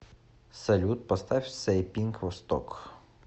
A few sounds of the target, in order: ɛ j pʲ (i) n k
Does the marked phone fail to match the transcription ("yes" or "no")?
no